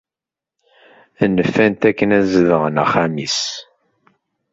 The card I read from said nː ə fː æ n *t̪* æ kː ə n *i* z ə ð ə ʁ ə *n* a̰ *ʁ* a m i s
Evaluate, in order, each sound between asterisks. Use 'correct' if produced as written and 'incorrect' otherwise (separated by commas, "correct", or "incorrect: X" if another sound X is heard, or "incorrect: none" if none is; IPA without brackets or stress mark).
correct, incorrect: æ, correct, incorrect: χ